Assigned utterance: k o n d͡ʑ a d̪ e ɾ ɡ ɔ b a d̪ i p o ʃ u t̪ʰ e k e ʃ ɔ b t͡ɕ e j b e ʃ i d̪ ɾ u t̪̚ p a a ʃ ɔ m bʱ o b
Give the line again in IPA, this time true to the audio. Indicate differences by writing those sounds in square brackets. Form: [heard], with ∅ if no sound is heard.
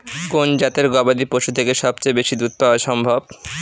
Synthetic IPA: k o n d͡ʑ a [t̪] e ɾ ɡ ɔ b a d̪ i p o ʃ u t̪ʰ e k e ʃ ɔ b t͡ɕ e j b e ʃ i d̪ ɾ u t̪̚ p a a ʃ ɔ m bʱ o b